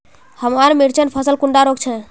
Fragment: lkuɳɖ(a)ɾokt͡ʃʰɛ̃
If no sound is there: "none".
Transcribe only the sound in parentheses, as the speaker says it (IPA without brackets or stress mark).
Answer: a